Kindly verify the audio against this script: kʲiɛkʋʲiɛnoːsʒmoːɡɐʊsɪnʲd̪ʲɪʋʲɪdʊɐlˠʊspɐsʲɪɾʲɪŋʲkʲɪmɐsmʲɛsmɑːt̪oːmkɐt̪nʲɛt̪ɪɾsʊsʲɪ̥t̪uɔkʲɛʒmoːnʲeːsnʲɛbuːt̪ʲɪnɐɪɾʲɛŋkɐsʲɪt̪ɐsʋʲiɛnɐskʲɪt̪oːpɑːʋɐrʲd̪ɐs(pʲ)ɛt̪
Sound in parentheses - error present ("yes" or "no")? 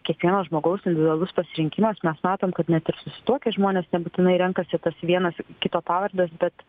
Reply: yes